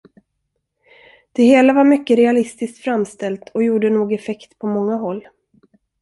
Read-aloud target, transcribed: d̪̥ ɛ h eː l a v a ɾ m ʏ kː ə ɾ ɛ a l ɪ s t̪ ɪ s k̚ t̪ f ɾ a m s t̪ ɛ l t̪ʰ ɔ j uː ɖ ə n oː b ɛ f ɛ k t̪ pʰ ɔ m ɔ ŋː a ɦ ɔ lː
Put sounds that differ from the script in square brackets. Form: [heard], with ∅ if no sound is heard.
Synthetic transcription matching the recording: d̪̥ ɛ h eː l a v a ɾ m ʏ kː ə ɾ ɛ a l ɪ s t̪ ɪ s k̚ t̪ f ɾ a m s t̪ ɛ l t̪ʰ ɔ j uː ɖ ə n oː [ɡ] ɛ f ɛ k t̪ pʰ ɔ m ɔ ŋː a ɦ ɔ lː